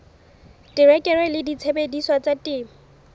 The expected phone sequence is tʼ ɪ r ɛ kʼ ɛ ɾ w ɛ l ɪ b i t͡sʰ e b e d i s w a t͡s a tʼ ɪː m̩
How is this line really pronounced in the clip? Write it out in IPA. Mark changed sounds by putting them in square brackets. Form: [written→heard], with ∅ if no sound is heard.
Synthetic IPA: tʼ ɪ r ɛ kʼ ɛ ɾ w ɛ l ɪ [b→d] i t͡sʰ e b e d i s w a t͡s a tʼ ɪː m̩